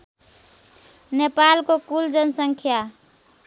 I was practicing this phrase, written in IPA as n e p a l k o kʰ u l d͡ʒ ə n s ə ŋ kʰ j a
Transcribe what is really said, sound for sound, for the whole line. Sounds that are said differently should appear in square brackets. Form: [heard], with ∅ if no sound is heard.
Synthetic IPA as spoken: n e p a l k o [k] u l d͡ʒ ə n s ə ŋ kʰ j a